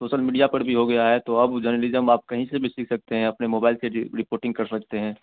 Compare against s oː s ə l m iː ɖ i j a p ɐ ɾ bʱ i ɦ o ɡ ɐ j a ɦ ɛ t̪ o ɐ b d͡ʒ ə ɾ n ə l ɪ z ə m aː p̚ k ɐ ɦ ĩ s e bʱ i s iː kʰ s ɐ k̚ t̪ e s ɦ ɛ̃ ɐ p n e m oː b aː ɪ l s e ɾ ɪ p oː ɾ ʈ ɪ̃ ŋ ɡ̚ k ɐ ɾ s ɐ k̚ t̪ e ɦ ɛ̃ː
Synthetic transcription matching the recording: s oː ʃ ə l m iː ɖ i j a p ɐ ɾ bʱ i ɦ o ɡ ɐ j a ɦ ɛ t̪ o ɐ b d͡ʒ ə ɾ n ə l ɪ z ə m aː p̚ k ɐ ɦ ĩ s e bʱ i s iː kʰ s ɐ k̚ t̪ e ɦ ɛ̃ ɐ p n e m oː b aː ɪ l s e ɾ ɪ p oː ɾ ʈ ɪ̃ ŋ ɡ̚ k ɐ ɾ s ɐ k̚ t̪ e ɦ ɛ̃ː